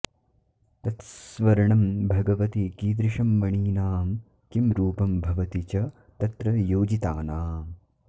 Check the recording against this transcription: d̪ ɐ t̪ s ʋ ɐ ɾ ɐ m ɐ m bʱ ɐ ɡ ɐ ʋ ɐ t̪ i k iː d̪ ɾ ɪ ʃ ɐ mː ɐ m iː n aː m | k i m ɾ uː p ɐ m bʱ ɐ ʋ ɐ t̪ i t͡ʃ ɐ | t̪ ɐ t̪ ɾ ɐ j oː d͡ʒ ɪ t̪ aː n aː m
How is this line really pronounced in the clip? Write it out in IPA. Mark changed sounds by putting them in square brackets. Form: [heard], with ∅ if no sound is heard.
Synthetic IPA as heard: [t̪] ɐ t̪ s ʋ ɐ ɾ ɐ [ɳ] ɐ m bʱ ɐ ɡ ɐ ʋ ɐ t̪ i k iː d̪ ɾ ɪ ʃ ɐ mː ɐ [ɳ] iː n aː m | k i m ɾ uː p ɐ m bʱ ɐ ʋ ɐ t̪ i t͡ʃ ɐ | t̪ ɐ t̪ ɾ ɐ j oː d͡ʒ [i] t̪ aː n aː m